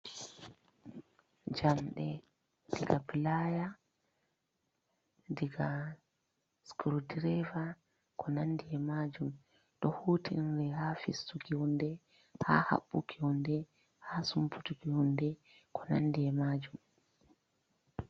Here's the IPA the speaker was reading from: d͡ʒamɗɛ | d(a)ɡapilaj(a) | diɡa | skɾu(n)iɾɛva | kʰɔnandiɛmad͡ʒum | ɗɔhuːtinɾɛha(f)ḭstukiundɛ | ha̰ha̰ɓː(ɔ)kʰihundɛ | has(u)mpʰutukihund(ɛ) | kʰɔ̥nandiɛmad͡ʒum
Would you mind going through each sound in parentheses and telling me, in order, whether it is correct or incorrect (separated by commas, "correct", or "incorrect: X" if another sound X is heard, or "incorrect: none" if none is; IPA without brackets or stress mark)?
incorrect: i, correct, incorrect: d, correct, incorrect: u, correct, correct